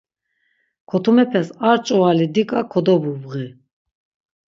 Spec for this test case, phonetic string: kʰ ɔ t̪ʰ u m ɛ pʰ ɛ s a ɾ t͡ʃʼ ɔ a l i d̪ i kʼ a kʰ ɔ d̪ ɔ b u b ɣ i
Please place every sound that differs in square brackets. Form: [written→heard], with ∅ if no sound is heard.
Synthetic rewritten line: kʰ ɔ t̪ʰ u m ɛ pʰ ɛ s a ɾ t͡ʃʼ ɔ a l i d̪ i kʼ a kʰ ɔ d̪ ɔ b u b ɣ i